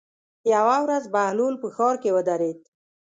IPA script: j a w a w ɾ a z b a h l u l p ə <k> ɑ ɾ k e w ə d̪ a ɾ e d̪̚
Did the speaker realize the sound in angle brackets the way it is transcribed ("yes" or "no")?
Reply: no